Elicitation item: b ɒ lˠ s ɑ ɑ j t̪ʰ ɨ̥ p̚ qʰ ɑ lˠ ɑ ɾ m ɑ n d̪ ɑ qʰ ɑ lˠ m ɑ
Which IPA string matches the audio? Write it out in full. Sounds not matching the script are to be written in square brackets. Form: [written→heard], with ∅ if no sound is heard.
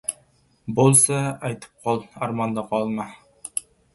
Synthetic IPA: b [ɒ→o] lˠ s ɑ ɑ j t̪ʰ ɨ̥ p̚ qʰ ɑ lˠ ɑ ɾ m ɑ n d̪ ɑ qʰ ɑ lˠ m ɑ